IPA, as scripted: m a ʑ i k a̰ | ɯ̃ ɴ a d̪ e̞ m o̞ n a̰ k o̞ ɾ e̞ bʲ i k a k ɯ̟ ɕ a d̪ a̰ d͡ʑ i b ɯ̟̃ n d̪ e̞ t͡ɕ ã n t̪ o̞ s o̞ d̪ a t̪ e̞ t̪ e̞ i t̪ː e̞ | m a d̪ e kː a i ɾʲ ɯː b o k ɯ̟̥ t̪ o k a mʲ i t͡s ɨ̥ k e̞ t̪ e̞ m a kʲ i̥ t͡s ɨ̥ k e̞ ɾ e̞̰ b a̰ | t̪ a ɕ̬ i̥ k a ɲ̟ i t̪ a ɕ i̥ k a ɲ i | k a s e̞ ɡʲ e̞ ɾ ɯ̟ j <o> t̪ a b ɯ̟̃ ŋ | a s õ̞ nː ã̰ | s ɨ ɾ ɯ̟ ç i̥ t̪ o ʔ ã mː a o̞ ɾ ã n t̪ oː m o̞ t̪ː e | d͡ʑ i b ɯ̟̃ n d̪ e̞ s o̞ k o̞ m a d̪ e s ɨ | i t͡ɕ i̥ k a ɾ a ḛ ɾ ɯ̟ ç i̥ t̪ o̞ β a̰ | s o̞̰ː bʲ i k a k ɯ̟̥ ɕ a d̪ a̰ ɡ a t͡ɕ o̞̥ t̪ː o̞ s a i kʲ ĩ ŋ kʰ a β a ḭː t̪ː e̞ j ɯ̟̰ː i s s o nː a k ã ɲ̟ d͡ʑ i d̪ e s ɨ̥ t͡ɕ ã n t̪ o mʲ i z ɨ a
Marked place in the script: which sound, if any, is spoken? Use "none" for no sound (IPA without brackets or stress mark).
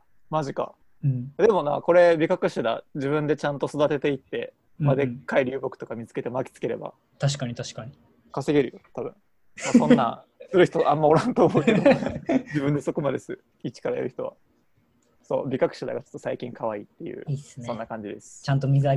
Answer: o